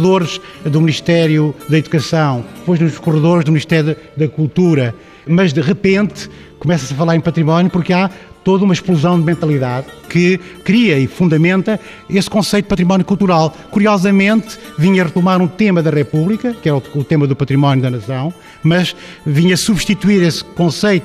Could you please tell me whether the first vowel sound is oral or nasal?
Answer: oral